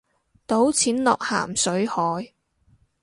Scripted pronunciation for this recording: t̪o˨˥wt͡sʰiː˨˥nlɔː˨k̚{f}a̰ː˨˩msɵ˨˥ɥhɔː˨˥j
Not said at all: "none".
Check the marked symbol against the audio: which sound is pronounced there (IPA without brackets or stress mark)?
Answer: h